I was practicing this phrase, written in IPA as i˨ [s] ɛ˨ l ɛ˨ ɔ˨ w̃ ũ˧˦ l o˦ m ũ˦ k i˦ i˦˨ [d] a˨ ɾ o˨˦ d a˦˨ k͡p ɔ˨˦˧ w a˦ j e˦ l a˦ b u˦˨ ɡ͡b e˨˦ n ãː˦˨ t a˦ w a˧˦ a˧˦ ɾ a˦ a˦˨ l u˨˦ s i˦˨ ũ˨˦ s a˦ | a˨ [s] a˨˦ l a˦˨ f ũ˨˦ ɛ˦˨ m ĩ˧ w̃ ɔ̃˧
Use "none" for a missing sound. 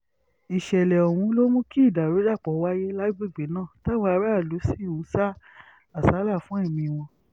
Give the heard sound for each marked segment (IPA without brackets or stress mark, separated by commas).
ʃ, d, s